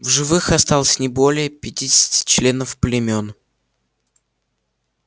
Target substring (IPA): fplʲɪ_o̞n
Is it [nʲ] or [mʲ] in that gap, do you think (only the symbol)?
mʲ